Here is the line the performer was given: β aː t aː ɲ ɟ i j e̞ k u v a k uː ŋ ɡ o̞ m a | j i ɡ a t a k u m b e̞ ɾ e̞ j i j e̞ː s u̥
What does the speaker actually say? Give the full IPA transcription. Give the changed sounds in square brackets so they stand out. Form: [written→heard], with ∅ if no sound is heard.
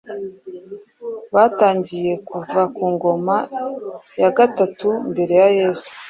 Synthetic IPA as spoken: β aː t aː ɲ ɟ i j e̞ k u v a k uː ŋ ɡ o̞ m a | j [i→a] ɡ a t a [k→t] u m b e̞ ɾ e̞ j [i→a] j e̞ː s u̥